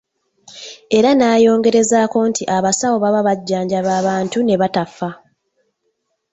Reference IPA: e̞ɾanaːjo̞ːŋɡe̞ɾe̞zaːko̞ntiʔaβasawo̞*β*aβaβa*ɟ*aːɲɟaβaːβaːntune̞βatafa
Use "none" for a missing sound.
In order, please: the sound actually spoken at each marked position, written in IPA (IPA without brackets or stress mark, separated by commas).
β, ɟː